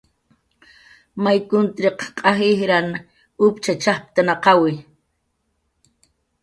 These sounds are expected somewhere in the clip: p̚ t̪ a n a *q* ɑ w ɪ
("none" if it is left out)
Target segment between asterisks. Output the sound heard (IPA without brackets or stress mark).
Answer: q